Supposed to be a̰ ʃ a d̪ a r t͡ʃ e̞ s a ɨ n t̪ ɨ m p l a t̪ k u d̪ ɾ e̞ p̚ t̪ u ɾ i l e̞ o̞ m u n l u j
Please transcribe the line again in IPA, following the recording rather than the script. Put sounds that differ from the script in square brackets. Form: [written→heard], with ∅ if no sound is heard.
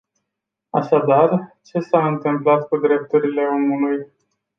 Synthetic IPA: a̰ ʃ a d̪ a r t͡ʃ e̞ s a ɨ n t̪ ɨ m p l a t̪ k u d̪ ɾ e̞ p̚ t̪ u ɾ i l e̞ o̞ m u [n→∅] l u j